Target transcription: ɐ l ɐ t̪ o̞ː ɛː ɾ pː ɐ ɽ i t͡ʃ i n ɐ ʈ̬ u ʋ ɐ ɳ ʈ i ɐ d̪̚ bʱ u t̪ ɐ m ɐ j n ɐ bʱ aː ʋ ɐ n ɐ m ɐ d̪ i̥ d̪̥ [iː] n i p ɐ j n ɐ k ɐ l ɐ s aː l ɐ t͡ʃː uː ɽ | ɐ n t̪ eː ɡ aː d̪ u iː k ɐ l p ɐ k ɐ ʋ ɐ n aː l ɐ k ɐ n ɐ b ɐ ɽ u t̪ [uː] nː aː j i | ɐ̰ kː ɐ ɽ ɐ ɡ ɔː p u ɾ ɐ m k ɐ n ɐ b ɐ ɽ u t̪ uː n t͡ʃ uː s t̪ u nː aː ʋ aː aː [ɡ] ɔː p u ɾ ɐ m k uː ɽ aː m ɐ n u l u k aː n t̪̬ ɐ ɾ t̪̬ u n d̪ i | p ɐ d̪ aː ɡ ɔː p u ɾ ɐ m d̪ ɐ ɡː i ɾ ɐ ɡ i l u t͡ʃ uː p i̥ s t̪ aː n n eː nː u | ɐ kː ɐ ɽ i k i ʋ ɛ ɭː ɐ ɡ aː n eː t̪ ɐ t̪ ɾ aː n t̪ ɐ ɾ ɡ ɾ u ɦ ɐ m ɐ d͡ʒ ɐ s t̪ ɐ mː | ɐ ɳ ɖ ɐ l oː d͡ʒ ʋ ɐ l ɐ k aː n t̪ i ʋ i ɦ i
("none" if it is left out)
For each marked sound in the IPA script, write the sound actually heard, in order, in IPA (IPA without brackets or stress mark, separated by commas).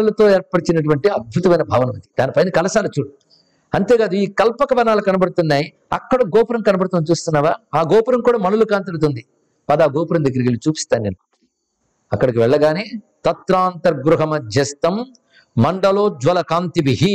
aː, u, ɡ